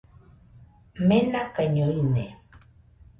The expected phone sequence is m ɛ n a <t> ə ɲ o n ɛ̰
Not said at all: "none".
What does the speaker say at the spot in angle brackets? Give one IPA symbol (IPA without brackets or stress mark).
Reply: k